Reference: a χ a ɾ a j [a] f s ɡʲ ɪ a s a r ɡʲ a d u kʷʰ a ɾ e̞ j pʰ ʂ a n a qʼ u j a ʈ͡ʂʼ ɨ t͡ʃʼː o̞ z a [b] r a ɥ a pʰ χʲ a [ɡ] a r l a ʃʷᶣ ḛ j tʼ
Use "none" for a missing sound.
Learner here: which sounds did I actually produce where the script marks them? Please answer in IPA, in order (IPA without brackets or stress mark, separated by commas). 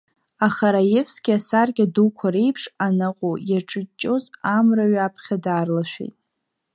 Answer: e, m, d